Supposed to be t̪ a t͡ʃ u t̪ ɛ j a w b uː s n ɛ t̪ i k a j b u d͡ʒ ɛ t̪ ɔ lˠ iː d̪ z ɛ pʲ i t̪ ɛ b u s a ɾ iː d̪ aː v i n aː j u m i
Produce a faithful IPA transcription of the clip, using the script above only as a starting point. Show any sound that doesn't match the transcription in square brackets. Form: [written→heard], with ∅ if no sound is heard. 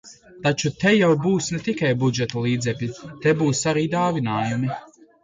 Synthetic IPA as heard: t̪ a t͡ʃ u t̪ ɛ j a w b uː s n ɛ t̪ i k a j b u d͡ʒ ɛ t̪ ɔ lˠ iː d̪ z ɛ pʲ i t̪ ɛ b [u→uː] s a ɾ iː d̪ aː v i n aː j u m i

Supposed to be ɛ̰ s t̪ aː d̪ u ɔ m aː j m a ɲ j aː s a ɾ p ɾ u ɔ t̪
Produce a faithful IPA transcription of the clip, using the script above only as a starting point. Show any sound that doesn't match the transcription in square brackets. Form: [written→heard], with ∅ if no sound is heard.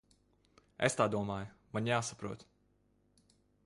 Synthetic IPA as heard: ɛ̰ s t̪ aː d̪ u ɔ m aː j m a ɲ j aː s a [ɾ→∅] p ɾ u ɔ t̪

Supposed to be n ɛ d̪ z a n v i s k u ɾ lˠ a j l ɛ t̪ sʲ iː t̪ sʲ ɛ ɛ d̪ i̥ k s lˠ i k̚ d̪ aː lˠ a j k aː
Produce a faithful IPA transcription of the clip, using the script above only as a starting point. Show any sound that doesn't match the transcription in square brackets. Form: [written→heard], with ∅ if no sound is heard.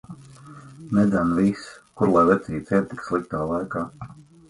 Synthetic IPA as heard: n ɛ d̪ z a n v i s k u ɾ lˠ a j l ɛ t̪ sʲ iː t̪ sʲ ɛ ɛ [d̪→t̪] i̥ k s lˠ i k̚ [d̪→t̪] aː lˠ a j k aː

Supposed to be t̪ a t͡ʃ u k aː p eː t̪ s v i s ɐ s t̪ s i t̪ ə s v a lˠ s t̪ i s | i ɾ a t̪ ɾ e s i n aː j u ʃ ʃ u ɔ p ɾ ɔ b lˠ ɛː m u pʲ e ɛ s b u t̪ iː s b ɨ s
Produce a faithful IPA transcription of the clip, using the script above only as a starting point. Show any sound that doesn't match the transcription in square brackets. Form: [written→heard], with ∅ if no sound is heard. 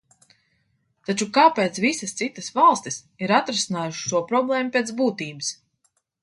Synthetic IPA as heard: t̪ a t͡ʃ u k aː p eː t̪ s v i s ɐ s t̪ s i t̪ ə s v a lˠ s t̪ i s | i ɾ a t̪ ɾ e s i n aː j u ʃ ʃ u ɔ p ɾ ɔ b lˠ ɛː m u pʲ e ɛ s b [u→uː] t̪ iː [s→∅] b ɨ s

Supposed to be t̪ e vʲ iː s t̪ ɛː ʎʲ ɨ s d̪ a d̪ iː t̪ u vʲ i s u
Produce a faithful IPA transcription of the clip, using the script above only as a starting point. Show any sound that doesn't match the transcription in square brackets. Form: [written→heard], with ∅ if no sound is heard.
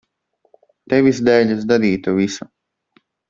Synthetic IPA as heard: t̪ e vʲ [iː→i] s [t̪→d̪] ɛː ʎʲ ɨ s d̪ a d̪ iː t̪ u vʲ i s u

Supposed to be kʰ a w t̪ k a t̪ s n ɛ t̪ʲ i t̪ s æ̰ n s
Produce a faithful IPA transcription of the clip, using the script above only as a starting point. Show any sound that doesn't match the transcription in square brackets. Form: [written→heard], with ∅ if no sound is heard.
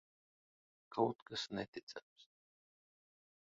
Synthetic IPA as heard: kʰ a w t̪ k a [t̪→∅] s n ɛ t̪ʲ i t̪ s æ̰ [n→m] s

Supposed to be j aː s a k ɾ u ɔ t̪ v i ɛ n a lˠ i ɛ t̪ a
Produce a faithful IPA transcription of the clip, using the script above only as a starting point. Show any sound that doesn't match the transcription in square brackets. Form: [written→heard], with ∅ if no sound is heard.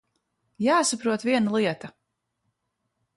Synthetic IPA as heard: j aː s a [k→p] ɾ u ɔ t̪ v i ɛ n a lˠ i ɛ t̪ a

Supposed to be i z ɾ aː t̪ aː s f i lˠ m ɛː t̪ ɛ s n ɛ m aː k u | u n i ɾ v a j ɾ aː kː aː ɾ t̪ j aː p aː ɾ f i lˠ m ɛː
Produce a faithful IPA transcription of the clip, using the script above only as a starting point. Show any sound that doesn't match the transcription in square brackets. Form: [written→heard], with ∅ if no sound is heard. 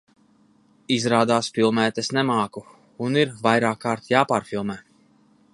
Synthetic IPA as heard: i z ɾ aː [t̪→d̪] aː s f i lˠ m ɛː t̪ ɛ s n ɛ m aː k u | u n i ɾ v a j ɾ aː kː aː ɾ t̪ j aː p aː ɾ f i lˠ m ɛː

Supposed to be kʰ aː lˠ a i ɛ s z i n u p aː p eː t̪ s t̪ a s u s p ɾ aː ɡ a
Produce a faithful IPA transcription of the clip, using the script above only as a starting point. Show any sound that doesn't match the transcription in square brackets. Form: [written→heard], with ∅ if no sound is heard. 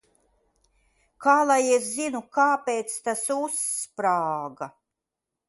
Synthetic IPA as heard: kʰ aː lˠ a [i→j] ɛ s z i n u [p→k] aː p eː t̪ s t̪ a s u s p ɾ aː ɡ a

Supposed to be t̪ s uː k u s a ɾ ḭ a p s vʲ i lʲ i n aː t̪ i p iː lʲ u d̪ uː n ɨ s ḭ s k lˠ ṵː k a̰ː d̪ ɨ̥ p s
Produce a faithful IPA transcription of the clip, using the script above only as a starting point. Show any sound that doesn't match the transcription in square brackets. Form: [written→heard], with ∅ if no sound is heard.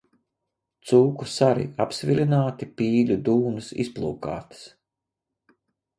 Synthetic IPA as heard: t̪ s uː k u s a ɾ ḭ a p s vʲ i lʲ i n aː t̪ i p iː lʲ u d̪ uː n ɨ s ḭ s [k→p] lˠ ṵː k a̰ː [d̪→t̪] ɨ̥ [p→∅] s

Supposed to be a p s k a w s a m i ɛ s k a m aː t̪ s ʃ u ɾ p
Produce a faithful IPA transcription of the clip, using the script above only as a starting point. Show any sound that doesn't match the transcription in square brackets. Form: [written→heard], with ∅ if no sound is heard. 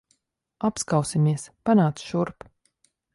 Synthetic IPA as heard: a p s k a w s [a→i] m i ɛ s [k→p] a [m→n] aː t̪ s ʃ u ɾ p

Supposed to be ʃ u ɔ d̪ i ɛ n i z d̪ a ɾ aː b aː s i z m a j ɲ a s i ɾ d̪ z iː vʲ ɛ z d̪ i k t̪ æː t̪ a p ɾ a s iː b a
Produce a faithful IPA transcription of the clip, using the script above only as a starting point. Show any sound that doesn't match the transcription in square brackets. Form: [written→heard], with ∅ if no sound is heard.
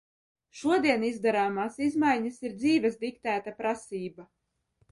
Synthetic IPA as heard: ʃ u ɔ d̪ i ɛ n i z d̪ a ɾ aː [b→m] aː s i z m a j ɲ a s i ɾ d̪ z iː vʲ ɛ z d̪ i k t̪ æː t̪ a p ɾ a s iː b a

